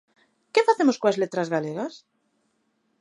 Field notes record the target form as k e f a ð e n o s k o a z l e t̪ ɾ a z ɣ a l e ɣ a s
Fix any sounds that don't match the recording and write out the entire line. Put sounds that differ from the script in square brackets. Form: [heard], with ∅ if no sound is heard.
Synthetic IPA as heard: k e f a [θ] e [m] o s k o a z l e t̪ ɾ a z ɣ a l e ɣ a s